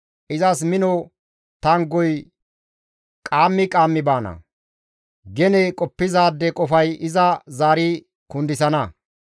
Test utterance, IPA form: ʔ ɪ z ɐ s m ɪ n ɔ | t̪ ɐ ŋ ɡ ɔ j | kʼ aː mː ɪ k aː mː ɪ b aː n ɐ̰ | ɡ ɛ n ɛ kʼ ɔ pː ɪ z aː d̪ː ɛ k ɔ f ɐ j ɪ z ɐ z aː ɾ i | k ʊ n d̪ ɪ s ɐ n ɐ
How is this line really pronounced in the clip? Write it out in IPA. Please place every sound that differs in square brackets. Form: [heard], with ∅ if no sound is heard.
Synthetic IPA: ʔ ɪ z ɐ s m ɪ n ɔ | t̪ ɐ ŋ ɡ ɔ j | kʼ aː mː ɪ [kʼ] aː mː ɪ b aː n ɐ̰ | ɡ ɛ n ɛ kʼ ɔ pː ɪ z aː d̪ː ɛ [kʼ] ɔ f ɐ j ɪ z ɐ z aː ɾ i | k ʊ n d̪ ɪ s ɐ n ɐ

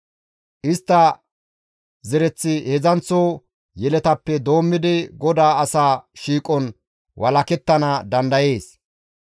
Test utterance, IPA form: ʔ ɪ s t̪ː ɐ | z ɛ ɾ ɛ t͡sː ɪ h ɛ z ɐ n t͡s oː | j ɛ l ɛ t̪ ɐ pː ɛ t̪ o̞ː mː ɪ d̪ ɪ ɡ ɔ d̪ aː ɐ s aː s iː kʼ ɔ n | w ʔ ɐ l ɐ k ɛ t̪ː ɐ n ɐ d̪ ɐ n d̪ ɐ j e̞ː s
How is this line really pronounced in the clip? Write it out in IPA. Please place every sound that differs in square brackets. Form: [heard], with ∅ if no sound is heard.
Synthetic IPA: ʔ ɪ s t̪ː ɐ | z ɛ ɾ ɛ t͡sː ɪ h ɛ z ɐ n t͡s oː | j ɛ l ɛ t̪ ɐ pː ɛ [d̪] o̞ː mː ɪ d̪ ɪ ɡ ɔ d̪ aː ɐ s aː [ʃ] iː kʼ ɔ n | w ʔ ɐ l ɐ k ɛ t̪ː ɐ n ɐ d̪ ɐ n d̪ ɐ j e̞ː s

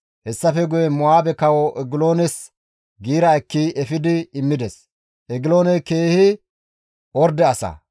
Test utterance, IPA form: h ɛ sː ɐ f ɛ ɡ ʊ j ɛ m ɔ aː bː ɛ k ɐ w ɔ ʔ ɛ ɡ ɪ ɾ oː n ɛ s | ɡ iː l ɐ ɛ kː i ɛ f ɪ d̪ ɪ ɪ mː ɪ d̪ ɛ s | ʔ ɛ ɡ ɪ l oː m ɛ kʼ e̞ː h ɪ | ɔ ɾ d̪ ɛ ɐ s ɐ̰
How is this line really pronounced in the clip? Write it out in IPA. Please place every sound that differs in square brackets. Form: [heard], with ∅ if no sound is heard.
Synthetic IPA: h ɛ sː ɐ f ɛ ɡ ʊ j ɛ m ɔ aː [b] ɛ k ɐ w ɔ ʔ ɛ ɡ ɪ [l] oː n ɛ s | ɡ iː [ɾ] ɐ ɛ kː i ɛ f ɪ d̪ ɪ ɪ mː ɪ d̪ ɛ s | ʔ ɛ ɡ ɪ l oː [n] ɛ [k] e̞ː h ɪ | ɔ ɾ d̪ ɛ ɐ s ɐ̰

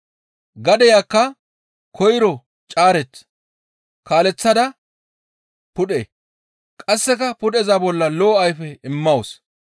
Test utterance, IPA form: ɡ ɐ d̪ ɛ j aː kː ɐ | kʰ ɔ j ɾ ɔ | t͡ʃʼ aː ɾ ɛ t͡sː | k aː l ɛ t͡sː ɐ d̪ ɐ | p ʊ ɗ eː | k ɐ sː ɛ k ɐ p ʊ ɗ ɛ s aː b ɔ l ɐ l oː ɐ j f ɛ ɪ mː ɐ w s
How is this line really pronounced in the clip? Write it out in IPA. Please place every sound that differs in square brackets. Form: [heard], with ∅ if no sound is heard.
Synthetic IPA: ɡ ɐ d̪ ɛ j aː kː ɐ | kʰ ɔ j ɾ ɔ | t͡ʃʼ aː ɾ ɛ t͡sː | k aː l ɛ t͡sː ɐ d̪ ɐ | p ʊ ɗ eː | [kʼ] ɐ sː ɛ k ɐ p ʊ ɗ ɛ [z] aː b ɔ [lː] ɐ l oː ɐ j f ɛ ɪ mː ɐ w s

